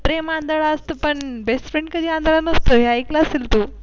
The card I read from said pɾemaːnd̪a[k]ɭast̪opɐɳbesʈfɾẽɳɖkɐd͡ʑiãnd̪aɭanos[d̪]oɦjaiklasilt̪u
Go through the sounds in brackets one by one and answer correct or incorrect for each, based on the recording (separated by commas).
incorrect, incorrect